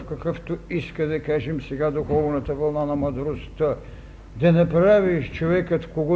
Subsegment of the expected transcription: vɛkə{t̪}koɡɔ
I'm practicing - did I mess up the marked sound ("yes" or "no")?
no